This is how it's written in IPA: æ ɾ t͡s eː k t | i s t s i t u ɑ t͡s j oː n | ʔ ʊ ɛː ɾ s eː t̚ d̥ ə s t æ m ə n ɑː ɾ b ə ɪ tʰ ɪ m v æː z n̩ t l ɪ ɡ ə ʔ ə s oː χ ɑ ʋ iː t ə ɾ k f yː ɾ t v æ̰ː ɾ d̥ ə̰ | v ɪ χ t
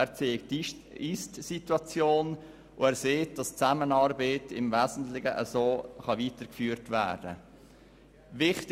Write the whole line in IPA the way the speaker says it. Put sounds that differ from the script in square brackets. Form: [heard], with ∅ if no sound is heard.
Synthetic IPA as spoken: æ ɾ t͡s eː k t | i s t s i t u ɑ t͡s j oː n | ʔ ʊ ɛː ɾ s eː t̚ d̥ [ɑ] s [t͡s] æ m ə n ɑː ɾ b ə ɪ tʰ ɪ m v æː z n̩ t l ɪ ɡ ə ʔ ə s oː χ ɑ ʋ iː t ə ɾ k f yː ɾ t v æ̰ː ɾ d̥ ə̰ | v ɪ χ t